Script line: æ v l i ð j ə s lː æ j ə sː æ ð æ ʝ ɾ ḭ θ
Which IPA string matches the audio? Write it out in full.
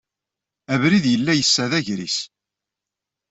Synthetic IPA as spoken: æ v ɾ i ð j ə lː æ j ə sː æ ð æ ʝ ɾ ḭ s